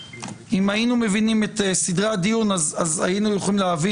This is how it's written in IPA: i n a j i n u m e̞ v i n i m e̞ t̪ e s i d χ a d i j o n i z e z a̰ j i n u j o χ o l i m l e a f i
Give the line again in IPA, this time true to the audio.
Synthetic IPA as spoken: i m a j i n u m e̞ v i n i m e̞ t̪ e s i d ʁ a d i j u n a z a z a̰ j i n u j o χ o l i m l e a v i